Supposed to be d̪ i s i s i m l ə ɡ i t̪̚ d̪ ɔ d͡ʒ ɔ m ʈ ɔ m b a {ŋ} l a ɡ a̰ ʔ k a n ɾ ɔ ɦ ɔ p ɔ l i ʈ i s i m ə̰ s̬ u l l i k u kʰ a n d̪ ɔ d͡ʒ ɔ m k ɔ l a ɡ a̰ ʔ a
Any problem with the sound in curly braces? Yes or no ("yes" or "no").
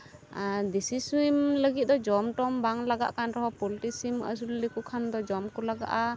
no